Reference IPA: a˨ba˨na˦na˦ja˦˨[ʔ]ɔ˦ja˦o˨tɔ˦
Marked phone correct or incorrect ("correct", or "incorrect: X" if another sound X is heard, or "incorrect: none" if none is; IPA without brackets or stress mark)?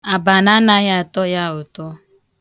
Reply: incorrect: t